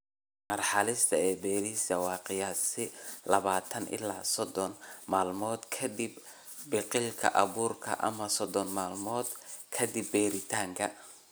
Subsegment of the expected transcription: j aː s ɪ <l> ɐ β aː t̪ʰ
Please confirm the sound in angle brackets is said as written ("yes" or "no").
yes